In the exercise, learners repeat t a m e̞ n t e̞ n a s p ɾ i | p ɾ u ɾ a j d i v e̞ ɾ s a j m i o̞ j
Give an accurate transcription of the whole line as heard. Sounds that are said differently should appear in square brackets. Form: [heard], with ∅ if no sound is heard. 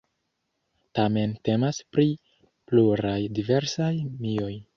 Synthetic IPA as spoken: t a m e̞ n t e̞ [m] a s p ɾ i | p [l] u ɾ a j d i v e̞ ɾ s a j m i o̞ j